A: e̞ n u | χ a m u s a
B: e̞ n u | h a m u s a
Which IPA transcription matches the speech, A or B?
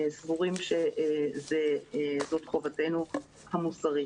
B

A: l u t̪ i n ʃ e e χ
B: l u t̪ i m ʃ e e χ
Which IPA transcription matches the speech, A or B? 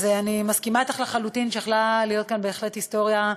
A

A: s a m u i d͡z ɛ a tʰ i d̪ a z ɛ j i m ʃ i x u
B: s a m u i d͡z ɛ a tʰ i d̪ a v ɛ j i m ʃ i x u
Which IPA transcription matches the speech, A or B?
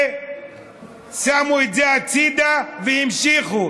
B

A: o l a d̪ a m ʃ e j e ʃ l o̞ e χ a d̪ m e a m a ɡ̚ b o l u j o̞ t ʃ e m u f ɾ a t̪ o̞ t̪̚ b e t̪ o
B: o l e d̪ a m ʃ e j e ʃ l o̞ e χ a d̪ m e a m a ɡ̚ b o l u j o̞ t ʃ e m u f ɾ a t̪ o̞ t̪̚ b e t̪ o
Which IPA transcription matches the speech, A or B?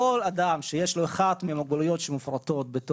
A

